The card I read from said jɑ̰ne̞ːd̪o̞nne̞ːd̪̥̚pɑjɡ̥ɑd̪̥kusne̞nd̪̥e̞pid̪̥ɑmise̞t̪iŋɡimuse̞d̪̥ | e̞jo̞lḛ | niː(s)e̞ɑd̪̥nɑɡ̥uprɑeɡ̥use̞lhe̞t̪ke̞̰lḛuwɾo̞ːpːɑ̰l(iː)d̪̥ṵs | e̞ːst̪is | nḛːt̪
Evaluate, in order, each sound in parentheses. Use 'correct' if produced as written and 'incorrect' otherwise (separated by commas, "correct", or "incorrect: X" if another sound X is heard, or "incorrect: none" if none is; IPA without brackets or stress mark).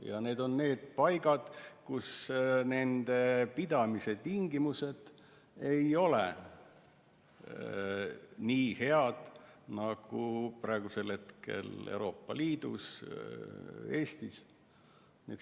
incorrect: h, correct